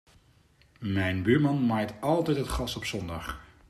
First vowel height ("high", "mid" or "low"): mid